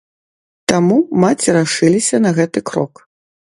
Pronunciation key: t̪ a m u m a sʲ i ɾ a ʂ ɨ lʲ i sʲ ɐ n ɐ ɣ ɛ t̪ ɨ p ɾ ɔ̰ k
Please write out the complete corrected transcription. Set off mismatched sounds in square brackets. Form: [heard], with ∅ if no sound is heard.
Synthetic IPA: t̪ a m u m a [t͡sʲ] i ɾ a ʂ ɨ lʲ i sʲ ɐ n ɐ ɣ ɛ t̪ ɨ [k] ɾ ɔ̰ k